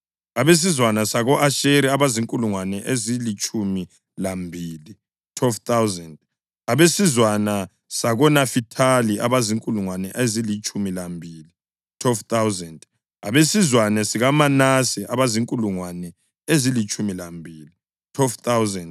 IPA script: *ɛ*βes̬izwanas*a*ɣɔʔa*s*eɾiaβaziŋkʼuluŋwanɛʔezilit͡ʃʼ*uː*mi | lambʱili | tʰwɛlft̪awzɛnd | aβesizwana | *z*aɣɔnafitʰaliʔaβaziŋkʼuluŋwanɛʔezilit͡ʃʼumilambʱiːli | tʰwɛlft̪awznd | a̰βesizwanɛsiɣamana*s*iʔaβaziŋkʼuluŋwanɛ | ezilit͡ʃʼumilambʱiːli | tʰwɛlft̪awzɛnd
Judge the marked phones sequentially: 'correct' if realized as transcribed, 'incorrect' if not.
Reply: incorrect: a, correct, incorrect: ʃ, incorrect: u, incorrect: s, correct

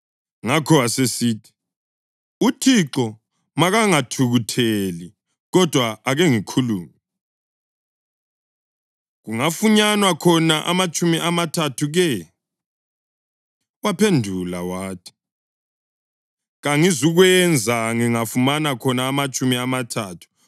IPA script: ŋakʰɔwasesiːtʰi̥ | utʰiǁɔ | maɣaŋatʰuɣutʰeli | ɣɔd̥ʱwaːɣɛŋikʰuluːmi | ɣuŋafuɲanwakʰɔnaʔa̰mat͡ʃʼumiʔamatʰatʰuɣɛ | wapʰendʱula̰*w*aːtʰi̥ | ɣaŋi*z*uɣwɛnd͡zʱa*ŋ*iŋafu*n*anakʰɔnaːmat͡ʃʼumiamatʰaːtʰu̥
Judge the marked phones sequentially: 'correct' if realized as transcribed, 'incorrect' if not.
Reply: correct, correct, correct, incorrect: m

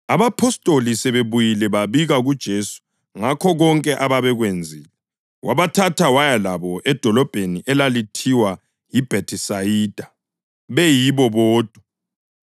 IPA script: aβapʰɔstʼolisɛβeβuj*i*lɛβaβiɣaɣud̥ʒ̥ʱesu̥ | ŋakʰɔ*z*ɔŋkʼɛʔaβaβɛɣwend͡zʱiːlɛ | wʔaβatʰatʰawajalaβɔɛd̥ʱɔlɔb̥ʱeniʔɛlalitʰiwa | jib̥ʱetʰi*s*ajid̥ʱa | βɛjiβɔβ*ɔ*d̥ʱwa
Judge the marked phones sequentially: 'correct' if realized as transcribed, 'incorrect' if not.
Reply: correct, incorrect: ɣ, correct, incorrect: ɔː

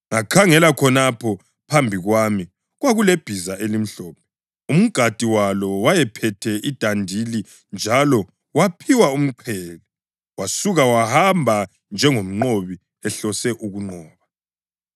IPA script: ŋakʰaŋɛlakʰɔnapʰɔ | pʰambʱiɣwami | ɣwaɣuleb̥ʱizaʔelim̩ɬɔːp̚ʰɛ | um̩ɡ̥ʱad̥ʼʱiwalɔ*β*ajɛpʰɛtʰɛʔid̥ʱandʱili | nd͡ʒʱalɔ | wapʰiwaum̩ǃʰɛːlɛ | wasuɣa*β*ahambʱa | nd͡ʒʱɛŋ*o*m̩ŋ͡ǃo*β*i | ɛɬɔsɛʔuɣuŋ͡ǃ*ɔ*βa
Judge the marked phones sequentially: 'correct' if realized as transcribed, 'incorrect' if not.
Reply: incorrect: w, incorrect: w, correct, correct, incorrect: ɔː

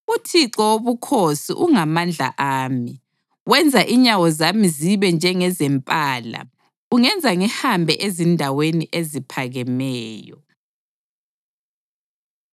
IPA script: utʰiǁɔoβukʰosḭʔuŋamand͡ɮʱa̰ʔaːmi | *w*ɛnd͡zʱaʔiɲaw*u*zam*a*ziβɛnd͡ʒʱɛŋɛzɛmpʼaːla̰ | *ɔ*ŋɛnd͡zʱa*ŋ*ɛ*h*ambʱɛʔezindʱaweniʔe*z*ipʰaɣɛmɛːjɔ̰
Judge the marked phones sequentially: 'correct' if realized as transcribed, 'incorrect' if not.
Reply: correct, incorrect: ɔ, incorrect: i, incorrect: u, correct, correct, correct

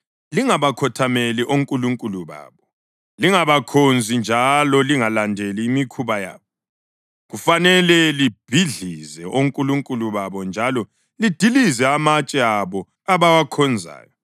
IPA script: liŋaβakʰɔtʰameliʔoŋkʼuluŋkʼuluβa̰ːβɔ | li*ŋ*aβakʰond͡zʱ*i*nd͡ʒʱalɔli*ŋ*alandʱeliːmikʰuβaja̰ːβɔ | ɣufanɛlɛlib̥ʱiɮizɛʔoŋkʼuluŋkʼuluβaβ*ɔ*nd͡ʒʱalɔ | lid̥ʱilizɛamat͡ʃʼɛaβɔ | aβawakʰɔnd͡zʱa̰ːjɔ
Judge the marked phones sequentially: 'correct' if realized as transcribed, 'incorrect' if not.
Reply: correct, correct, correct, correct

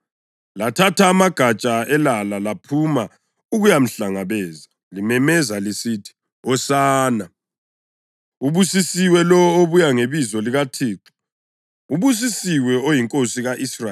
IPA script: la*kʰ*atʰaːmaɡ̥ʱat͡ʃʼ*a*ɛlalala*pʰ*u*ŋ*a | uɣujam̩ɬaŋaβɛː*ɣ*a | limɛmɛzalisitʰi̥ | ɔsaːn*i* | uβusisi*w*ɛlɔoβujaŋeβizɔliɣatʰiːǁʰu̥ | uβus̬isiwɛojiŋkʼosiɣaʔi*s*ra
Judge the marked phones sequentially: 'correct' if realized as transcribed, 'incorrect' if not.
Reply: incorrect: tʰ, correct, correct, incorrect: m, incorrect: z, incorrect: a, correct, correct

